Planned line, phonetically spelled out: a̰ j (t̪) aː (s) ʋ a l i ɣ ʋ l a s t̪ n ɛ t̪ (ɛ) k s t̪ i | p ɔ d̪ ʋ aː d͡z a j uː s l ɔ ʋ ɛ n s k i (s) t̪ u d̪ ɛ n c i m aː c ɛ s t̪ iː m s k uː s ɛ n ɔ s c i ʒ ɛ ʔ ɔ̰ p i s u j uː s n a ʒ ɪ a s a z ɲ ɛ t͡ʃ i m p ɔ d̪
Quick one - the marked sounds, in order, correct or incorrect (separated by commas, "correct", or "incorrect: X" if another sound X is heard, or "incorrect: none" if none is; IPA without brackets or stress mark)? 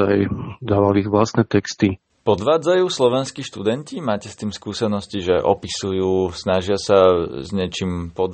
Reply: incorrect: d̪, incorrect: none, correct, incorrect: ʃ